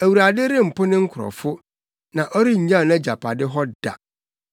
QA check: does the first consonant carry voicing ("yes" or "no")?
yes